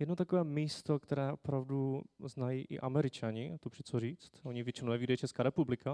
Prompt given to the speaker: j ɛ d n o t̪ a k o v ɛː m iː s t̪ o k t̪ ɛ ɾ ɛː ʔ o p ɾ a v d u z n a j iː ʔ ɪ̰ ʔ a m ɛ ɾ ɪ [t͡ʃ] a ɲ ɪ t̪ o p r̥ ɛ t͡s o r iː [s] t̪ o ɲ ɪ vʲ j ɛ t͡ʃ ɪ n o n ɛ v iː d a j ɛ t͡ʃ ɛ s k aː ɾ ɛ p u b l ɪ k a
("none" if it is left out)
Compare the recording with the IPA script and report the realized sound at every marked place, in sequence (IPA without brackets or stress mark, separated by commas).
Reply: t͡ʃ, t͡s